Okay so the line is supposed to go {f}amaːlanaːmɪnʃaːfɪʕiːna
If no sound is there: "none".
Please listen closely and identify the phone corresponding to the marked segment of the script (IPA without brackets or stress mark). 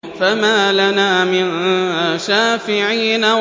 f